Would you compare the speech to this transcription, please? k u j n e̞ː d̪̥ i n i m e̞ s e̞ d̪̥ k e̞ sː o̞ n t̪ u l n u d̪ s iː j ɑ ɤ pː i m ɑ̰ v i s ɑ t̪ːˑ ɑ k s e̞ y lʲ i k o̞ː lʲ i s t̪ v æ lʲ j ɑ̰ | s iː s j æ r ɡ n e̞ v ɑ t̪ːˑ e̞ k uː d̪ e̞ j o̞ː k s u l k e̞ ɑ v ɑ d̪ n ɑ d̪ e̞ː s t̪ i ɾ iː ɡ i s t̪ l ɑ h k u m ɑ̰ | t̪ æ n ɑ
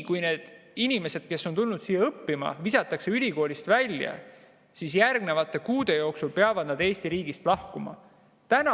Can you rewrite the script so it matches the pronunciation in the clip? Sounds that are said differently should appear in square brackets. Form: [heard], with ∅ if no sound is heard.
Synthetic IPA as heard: k u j n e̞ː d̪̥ i n i m e̞ s e̞ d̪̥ k e̞ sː o̞ n t̪ u l n u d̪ s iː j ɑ ɤ pː i m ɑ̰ v i s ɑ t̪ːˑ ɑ k s e̞ y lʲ i k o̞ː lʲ i s t̪ v æ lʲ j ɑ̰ | s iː s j æ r ɡ n e̞ v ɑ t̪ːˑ e̞ k uː d̪ e̞ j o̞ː k s u l [p] e̞ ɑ v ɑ d̪ n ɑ d̪ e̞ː s t̪ i ɾ iː ɡ i s t̪ l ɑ h k u m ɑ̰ | t̪ æ n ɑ